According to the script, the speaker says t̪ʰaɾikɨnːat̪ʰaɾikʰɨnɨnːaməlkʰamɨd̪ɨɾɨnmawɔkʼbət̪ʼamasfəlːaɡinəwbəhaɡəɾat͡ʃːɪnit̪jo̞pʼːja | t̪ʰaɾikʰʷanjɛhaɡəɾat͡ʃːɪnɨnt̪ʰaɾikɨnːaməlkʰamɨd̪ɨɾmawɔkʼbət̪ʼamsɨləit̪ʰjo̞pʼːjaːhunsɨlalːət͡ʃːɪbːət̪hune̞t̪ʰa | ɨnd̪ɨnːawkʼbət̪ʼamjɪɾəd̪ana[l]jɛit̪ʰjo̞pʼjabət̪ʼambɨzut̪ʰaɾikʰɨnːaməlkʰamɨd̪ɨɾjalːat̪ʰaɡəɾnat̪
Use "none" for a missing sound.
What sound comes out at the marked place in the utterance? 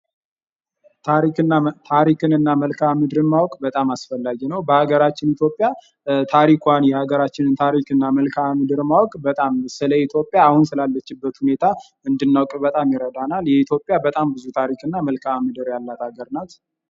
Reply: l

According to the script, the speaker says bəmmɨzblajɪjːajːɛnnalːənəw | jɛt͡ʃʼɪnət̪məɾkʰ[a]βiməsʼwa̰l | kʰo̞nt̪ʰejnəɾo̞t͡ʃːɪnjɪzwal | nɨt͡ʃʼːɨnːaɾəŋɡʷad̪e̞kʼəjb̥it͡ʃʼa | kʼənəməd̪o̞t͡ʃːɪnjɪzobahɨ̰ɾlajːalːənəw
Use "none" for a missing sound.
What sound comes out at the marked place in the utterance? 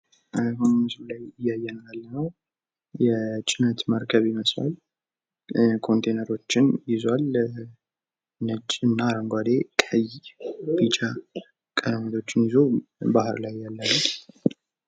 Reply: ə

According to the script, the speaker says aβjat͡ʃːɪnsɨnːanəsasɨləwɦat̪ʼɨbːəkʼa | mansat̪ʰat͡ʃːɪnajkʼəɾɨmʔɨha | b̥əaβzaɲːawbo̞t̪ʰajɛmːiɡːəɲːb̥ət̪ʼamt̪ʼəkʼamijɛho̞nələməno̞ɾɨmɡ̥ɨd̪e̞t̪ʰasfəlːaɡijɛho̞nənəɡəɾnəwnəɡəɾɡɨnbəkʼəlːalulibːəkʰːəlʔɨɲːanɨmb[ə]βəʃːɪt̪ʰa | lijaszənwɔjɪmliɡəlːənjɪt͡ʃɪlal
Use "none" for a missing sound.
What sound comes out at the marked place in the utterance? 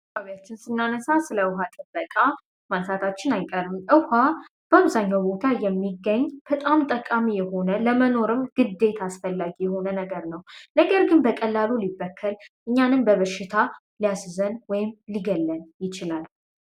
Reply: ə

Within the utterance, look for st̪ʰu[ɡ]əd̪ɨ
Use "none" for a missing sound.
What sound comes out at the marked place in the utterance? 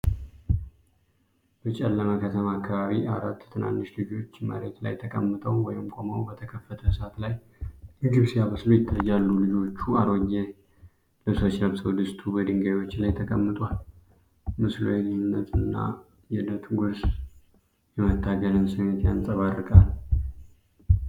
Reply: b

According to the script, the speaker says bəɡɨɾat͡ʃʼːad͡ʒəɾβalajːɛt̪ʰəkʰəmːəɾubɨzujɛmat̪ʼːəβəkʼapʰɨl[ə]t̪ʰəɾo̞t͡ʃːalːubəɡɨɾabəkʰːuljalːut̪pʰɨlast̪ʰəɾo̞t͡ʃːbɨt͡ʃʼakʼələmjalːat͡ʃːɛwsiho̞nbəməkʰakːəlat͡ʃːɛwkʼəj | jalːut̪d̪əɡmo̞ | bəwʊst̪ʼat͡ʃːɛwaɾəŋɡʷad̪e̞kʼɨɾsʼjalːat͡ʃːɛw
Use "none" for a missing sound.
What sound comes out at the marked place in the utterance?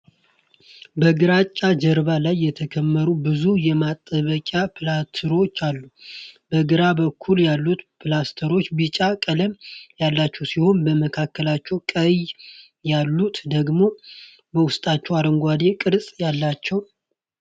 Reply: a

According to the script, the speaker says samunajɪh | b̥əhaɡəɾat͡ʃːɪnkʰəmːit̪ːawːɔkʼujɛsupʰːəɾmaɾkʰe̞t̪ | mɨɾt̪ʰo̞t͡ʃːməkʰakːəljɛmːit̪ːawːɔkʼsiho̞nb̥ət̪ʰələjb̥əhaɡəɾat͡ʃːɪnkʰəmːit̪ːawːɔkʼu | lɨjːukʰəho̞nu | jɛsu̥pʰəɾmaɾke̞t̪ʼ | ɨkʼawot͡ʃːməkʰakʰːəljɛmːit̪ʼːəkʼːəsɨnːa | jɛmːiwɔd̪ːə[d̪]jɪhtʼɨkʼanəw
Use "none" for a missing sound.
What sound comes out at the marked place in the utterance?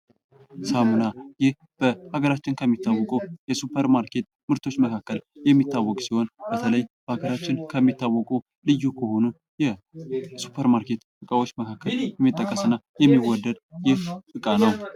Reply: d̪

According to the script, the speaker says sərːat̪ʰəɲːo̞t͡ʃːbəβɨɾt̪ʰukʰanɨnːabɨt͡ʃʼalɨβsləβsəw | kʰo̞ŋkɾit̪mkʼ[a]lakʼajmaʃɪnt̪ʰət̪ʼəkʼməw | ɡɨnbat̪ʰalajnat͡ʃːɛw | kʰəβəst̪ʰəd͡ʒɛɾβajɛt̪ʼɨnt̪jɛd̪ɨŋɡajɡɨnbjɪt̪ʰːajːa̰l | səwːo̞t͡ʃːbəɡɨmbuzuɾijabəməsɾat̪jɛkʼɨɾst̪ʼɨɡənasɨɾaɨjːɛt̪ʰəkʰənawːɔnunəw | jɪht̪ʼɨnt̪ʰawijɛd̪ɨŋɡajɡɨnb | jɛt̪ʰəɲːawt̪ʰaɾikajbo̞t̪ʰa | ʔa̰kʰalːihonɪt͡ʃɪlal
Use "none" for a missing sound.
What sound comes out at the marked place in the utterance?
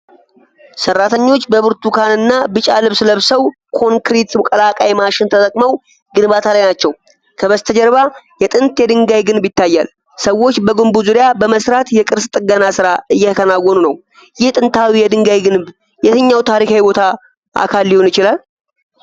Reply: ə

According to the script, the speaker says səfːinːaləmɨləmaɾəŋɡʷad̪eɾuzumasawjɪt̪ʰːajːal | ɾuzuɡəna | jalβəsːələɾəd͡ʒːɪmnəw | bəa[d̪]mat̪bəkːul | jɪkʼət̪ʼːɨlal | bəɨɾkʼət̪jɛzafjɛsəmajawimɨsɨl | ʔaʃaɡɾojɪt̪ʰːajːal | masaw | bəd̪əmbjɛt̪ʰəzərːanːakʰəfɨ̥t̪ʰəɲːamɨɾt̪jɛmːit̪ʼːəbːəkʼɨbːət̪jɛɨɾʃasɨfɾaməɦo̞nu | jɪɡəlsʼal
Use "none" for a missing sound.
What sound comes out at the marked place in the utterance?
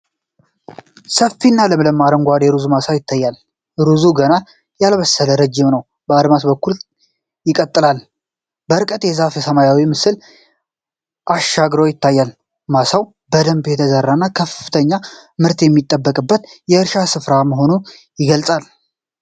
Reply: d̪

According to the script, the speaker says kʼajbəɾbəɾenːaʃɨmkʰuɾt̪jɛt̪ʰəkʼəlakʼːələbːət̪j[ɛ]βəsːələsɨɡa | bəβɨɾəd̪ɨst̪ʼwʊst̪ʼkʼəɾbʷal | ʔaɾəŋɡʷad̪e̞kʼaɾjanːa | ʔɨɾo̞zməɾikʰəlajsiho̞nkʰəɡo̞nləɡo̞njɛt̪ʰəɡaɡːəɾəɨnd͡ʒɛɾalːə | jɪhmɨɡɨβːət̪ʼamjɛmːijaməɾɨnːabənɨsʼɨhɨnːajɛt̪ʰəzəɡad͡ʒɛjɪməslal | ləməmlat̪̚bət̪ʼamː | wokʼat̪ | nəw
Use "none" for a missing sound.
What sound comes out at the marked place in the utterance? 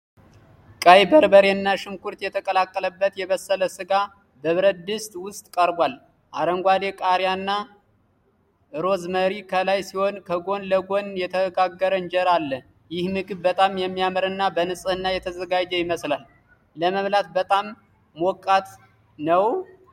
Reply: ɛ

